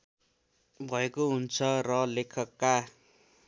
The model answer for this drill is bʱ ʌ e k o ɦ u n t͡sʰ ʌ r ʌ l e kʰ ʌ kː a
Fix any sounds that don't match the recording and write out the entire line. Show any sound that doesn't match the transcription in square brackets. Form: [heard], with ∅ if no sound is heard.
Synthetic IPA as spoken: bʱ ʌ e k o ɦ u n t͡sʰ ʌ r ʌ l e kʰ ʌ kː a